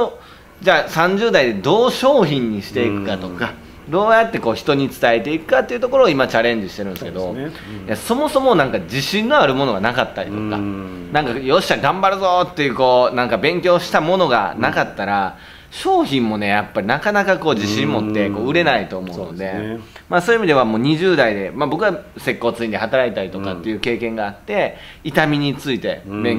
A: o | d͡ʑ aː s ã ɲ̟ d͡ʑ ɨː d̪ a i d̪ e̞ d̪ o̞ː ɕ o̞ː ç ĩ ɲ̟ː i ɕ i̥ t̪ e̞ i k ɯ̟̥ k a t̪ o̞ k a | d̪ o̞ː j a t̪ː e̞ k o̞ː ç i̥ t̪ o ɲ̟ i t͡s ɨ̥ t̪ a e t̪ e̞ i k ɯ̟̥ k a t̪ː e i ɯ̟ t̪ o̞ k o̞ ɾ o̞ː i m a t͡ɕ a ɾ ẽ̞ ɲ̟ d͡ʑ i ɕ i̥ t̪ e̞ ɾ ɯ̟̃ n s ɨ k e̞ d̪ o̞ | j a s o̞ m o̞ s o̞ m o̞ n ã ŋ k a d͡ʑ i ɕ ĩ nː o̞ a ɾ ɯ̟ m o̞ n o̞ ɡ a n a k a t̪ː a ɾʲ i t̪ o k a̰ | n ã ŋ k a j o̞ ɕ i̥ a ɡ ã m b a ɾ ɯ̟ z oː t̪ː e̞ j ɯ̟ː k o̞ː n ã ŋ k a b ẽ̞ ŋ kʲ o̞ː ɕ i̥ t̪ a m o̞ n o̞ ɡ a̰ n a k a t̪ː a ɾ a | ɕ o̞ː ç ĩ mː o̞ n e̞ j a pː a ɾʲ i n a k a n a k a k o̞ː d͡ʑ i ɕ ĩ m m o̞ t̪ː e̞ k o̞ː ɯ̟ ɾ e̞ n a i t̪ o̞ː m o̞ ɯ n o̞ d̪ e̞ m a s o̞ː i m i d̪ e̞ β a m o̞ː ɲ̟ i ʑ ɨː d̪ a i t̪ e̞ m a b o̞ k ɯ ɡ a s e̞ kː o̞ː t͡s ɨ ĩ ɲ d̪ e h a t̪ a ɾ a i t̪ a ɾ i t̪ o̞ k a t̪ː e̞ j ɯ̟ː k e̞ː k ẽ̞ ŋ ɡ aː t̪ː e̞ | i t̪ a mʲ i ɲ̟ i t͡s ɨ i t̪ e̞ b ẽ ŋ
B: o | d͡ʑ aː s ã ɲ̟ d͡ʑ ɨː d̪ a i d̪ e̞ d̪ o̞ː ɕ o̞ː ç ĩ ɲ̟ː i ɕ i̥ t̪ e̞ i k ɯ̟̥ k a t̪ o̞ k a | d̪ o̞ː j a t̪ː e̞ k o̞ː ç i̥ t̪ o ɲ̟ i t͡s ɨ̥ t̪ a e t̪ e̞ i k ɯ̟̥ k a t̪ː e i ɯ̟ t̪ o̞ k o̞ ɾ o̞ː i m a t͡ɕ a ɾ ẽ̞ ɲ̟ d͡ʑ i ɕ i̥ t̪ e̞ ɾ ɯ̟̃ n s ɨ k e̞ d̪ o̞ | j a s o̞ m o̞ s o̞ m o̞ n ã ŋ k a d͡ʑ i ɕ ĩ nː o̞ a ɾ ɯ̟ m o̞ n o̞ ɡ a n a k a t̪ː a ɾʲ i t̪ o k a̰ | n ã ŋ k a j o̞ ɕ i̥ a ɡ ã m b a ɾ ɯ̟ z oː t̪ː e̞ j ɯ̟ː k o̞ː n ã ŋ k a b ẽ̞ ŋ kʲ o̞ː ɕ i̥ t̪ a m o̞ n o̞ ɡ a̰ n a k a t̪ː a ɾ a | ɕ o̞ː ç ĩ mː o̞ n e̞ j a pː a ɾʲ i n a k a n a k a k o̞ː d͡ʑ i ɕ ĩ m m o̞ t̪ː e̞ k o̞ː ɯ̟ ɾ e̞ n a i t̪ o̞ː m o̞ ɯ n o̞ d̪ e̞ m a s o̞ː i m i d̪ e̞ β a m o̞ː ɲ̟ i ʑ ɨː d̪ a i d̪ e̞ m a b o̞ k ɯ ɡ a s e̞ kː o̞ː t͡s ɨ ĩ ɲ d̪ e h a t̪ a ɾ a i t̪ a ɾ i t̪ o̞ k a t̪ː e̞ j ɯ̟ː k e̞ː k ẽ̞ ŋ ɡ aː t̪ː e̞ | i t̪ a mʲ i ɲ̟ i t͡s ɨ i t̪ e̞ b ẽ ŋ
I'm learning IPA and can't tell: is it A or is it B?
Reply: B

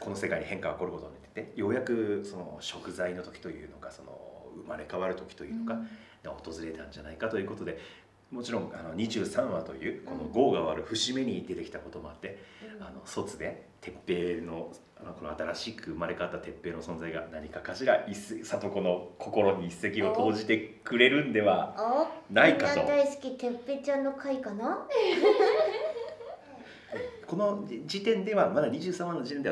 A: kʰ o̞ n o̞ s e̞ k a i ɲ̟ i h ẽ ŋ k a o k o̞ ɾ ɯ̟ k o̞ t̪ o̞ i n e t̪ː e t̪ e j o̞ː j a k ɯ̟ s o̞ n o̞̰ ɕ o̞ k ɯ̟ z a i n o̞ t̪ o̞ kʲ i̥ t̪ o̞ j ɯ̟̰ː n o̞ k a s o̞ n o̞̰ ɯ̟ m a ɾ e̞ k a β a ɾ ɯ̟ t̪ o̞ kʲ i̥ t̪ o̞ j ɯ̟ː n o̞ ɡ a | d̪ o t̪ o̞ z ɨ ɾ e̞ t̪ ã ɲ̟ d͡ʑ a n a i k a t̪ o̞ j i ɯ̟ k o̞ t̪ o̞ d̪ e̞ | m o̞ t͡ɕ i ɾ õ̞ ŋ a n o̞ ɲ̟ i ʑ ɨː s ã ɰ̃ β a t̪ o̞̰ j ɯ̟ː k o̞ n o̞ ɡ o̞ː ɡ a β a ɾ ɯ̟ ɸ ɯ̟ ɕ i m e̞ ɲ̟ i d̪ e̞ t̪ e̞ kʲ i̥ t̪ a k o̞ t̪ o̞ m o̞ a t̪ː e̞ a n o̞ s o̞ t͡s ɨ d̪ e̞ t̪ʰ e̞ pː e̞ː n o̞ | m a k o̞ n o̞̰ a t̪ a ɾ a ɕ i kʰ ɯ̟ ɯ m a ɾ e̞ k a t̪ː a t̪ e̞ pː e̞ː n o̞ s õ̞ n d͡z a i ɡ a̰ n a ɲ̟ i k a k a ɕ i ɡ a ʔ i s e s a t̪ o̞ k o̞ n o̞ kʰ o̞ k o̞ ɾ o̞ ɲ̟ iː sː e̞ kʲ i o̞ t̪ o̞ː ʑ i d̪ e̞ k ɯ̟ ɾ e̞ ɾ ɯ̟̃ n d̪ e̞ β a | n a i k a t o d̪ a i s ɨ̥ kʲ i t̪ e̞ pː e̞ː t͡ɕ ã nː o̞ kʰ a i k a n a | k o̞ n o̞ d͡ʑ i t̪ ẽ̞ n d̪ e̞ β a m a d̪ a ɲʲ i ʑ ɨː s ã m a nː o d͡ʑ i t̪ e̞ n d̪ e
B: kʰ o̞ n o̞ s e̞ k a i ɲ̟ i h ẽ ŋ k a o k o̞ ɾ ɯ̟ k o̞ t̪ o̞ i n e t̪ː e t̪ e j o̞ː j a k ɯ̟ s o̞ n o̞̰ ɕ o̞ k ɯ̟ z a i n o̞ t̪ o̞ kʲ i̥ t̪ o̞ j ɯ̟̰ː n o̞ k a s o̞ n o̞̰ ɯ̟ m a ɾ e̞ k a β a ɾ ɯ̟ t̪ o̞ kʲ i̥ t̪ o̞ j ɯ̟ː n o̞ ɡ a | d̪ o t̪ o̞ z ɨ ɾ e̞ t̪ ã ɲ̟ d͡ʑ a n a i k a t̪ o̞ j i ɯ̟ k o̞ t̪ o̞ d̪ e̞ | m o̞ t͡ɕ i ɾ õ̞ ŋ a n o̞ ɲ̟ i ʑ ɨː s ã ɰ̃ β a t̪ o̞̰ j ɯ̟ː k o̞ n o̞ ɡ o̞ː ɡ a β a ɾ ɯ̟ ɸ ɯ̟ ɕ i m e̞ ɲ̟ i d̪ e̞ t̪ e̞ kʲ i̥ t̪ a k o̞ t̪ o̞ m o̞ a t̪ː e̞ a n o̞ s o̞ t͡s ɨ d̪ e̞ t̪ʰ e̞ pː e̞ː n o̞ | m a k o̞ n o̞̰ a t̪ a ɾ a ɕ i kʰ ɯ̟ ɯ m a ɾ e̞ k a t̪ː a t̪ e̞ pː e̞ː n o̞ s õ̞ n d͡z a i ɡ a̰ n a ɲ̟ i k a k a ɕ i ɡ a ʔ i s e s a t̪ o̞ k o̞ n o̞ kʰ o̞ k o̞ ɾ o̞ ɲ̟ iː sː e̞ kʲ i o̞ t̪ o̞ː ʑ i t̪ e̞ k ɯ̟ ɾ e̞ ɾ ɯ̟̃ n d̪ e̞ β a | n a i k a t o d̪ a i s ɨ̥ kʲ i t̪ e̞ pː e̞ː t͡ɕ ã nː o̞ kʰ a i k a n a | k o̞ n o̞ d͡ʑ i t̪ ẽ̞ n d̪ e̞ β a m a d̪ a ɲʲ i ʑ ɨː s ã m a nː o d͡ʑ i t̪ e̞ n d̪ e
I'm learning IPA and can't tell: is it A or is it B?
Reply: B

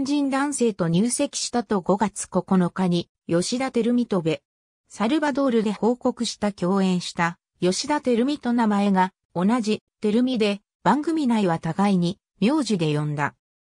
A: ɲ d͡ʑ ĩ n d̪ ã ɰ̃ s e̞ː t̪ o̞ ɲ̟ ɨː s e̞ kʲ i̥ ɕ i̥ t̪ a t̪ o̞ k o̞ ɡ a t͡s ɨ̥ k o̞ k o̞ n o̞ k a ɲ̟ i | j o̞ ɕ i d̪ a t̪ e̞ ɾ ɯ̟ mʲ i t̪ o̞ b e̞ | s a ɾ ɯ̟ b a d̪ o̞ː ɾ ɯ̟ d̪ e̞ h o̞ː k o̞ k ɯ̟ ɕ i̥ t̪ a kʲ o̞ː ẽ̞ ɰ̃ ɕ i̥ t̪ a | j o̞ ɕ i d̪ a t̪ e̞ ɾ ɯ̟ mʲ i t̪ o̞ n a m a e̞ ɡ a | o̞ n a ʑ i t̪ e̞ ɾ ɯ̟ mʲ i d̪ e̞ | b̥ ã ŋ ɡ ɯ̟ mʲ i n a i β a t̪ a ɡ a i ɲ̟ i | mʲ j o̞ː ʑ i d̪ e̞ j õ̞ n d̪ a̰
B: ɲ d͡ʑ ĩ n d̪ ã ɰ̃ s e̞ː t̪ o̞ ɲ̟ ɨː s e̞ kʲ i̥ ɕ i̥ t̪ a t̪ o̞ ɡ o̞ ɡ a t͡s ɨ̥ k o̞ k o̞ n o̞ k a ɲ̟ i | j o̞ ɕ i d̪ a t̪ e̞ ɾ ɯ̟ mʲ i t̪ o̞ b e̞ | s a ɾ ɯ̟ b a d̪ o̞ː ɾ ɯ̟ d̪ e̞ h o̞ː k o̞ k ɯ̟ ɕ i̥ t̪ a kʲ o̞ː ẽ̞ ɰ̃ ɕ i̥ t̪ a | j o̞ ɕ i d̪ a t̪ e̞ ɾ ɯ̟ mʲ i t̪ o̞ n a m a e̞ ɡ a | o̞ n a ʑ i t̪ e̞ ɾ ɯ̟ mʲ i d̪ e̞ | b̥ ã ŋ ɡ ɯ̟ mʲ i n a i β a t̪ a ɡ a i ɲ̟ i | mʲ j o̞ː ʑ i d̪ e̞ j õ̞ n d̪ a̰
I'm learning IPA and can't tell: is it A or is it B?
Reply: B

